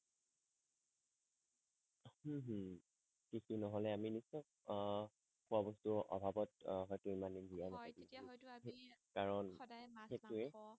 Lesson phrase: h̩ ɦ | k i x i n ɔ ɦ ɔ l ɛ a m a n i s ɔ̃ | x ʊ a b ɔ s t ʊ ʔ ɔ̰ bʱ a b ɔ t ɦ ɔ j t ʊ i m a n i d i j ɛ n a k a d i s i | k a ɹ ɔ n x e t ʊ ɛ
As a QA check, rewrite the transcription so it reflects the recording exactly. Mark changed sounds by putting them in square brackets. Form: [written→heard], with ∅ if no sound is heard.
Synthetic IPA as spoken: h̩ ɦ | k i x i n ɔ ɦ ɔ l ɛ a m [a→i] n i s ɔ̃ | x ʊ a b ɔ s t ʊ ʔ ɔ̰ bʱ a b ɔ t ɦ ɔ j t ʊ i m a n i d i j [ɛ→a] n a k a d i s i | k a ɹ ɔ n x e t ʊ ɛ